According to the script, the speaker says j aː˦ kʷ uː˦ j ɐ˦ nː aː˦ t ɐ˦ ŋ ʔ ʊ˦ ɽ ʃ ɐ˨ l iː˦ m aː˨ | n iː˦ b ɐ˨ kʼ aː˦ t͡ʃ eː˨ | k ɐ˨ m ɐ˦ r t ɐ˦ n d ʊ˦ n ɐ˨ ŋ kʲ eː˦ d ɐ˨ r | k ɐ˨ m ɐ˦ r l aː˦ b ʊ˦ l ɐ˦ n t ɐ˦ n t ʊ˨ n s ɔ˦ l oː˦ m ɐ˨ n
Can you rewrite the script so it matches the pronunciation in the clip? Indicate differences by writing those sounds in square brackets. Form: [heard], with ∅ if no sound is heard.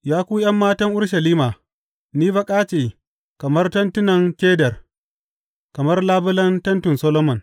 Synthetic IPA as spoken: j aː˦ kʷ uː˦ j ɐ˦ [mː] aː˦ t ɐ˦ ŋ ʔ ʊ˦ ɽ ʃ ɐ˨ l iː˦ m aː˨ | n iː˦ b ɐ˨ kʼ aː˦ t͡ʃ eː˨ | k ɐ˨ m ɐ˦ r t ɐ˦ n [t] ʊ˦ n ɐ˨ ŋ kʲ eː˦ d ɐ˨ r | k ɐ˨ m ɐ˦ r l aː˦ b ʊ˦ l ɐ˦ n t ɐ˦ n t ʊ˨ n s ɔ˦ l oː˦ m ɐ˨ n